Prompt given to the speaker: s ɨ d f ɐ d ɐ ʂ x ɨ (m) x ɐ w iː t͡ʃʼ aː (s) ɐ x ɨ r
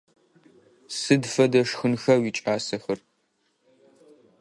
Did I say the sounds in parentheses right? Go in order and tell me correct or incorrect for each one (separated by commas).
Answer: incorrect, correct